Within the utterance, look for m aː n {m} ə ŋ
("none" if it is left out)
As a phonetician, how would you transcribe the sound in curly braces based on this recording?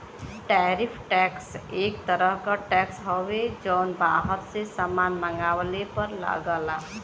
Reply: m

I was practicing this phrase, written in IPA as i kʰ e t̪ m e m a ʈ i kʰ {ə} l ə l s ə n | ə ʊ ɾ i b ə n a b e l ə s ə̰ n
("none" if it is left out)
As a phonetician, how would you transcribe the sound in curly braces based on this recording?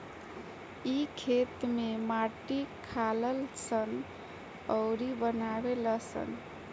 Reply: a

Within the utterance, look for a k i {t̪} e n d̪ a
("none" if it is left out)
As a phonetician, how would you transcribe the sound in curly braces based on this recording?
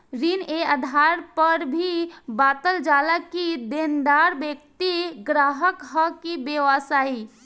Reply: d̪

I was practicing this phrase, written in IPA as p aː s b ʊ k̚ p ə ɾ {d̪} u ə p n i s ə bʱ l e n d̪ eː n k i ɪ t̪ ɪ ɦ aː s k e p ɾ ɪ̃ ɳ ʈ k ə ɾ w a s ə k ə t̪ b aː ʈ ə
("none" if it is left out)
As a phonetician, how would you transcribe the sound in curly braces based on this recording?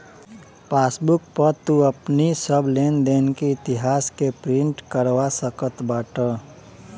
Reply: t̪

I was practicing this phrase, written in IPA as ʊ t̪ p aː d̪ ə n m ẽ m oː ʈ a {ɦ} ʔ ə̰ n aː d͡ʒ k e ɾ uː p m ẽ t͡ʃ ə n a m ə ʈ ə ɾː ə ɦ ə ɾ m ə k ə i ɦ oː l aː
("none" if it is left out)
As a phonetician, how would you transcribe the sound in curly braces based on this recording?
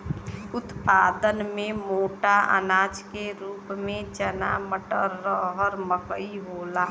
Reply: none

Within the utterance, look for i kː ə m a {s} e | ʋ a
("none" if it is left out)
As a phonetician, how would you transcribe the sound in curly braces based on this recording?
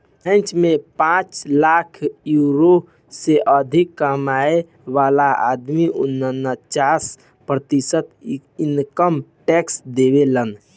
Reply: none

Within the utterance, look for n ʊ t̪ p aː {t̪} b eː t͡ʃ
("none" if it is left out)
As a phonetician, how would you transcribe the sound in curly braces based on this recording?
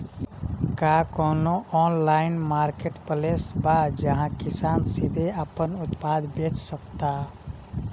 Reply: d̪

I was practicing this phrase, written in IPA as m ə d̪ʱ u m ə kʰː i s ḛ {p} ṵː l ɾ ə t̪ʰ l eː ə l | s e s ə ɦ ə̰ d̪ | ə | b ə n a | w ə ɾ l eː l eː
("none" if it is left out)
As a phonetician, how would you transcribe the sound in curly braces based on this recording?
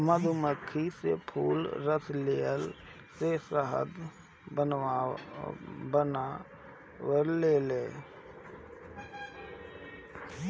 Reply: pʰ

